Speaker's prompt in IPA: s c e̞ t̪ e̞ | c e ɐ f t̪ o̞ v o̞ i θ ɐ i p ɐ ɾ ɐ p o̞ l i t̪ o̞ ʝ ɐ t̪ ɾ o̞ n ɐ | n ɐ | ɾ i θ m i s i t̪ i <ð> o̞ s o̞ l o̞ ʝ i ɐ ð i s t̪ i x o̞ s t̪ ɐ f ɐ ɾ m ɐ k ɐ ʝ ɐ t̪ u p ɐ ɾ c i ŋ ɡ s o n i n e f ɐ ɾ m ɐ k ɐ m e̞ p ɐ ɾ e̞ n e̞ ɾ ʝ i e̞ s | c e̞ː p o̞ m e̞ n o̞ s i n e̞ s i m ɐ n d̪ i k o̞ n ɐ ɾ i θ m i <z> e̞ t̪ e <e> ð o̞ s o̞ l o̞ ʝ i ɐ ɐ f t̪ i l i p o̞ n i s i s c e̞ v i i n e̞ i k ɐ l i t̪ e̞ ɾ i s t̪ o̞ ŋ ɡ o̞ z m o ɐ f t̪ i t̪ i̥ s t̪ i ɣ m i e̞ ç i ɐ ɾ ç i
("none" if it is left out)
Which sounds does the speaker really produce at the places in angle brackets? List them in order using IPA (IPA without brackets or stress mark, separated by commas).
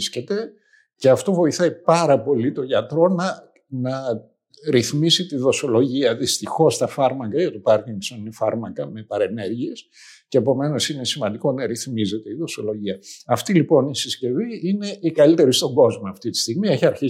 ð, z, i